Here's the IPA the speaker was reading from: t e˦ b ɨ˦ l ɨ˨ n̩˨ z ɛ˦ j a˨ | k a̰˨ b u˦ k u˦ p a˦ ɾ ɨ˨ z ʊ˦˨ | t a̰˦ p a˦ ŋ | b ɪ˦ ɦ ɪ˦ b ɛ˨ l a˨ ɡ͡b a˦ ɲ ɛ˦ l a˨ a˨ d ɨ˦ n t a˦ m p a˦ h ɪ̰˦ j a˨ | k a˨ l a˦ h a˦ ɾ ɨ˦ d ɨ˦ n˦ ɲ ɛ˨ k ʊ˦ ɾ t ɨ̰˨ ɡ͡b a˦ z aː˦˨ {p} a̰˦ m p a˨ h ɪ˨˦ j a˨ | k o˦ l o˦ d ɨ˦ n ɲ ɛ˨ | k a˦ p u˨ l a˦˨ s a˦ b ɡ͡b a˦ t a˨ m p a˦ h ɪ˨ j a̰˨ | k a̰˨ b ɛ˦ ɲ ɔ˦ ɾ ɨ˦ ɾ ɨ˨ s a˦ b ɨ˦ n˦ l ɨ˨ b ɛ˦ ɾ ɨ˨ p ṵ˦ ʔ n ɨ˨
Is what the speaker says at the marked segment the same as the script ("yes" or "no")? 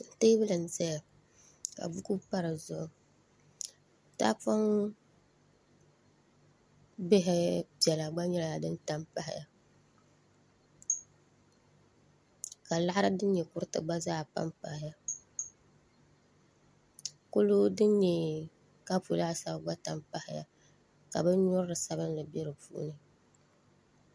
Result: yes